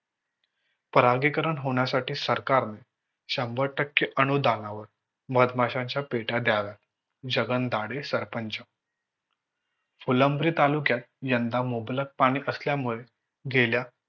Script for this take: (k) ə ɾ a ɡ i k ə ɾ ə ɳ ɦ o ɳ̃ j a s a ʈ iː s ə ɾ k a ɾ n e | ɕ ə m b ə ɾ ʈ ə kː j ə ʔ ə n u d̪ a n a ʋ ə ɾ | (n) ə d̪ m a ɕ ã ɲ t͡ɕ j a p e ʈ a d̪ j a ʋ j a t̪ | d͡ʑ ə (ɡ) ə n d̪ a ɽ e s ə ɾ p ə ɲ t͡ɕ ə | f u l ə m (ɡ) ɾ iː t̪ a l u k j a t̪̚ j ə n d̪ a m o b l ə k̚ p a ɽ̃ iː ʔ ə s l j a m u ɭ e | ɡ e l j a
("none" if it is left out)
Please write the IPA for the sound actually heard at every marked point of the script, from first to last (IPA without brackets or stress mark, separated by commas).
p, m, ɡ, b